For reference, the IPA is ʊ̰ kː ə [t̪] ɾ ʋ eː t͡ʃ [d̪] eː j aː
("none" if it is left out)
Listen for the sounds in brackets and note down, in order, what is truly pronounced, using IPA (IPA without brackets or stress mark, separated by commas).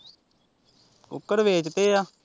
none, t̪